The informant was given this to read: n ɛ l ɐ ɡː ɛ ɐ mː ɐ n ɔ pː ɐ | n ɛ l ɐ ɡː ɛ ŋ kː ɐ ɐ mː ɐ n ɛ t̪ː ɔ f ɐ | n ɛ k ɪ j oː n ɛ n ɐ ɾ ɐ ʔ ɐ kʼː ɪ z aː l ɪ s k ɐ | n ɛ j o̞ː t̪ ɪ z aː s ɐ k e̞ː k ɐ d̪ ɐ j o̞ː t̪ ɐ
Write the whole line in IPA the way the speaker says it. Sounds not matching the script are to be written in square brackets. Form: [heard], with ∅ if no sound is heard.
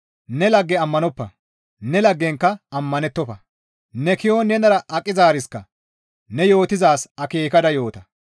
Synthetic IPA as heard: n ɛ l ɐ ɡː ɛ ɐ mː ɐ n ɔ pː ɐ | n ɛ l ɐ ɡː ɛ ŋ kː ɐ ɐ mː ɐ n ɛ t̪ː ɔ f ɐ | n ɛ k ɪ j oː n ɛ n ɐ ɾ ɐ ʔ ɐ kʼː ɪ z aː [ɾ] ɪ s k ɐ | n ɛ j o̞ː t̪ ɪ z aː s ɐ k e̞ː k ɐ d̪ ɐ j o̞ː t̪ ɐ